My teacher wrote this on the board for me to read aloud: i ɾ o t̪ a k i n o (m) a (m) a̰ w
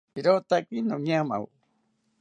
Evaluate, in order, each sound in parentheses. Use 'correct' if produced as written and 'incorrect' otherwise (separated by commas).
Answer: incorrect, correct